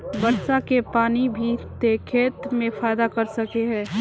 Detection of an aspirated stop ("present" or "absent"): present